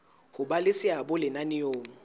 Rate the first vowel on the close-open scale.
close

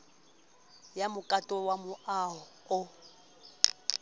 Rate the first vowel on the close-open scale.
open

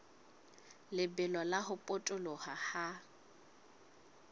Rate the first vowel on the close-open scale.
close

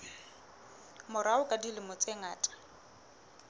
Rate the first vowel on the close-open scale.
close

